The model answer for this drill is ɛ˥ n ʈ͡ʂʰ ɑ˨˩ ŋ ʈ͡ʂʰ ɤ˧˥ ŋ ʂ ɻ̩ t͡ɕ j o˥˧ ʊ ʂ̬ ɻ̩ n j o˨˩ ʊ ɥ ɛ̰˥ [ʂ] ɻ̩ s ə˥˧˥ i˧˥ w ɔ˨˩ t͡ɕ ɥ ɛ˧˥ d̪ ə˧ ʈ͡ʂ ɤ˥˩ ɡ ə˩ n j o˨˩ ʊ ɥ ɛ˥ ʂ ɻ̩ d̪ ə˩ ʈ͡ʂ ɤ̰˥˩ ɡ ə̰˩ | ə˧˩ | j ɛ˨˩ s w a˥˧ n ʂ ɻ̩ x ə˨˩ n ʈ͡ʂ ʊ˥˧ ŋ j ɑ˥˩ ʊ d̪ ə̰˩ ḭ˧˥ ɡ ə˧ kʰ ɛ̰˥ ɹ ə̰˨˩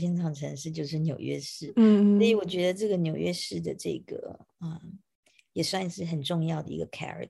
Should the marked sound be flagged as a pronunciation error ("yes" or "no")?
no